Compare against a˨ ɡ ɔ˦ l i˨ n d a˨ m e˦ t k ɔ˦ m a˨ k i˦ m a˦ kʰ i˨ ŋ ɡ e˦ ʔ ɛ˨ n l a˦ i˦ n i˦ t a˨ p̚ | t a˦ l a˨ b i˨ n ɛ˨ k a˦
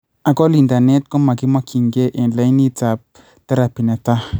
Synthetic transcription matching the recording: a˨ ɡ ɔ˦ l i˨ n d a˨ n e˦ t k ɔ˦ m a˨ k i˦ m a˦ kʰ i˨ ŋ ɡ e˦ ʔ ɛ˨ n l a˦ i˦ n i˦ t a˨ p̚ | t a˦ ɾ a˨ p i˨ n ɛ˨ t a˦